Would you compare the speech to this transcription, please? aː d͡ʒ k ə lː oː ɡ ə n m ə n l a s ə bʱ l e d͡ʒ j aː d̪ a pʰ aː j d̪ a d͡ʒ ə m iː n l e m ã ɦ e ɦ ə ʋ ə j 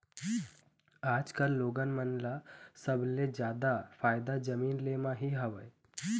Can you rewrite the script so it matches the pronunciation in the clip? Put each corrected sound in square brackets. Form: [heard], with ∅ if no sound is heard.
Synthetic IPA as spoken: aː d͡ʒ k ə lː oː ɡ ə n m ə n l a s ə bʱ l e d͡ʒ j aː d̪ a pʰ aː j d̪ a d͡ʒ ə m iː n l e m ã ɦ [i] ɦ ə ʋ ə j